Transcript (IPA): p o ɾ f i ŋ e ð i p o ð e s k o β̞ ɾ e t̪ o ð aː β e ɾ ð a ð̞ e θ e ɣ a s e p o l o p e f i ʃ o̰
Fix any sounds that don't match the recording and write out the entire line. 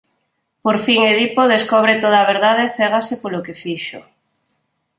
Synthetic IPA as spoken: p o ɾ f i ŋ e ð i p o ð e s k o β̞ ɾ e t̪ o ð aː β e ɾ ð a ð̞ e θ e ɣ a s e p o l o k e f i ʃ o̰